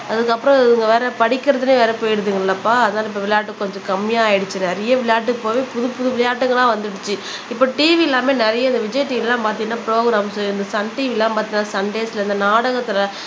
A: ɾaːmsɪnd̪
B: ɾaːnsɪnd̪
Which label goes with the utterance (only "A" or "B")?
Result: A